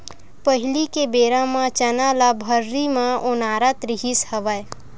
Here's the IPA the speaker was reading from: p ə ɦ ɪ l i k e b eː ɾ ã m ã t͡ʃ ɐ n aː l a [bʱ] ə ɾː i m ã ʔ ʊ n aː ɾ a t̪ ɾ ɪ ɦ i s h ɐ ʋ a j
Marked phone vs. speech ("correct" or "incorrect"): correct